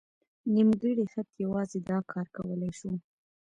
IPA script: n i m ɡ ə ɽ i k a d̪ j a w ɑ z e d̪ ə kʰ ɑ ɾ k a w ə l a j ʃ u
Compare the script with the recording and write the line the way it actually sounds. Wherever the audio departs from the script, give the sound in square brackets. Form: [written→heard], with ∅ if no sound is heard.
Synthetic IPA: n i m ɡ ə ɽ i [k→x] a [d̪→t̪] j a w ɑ z e d̪ [ə→ɑ] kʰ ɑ ɾ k a w ə l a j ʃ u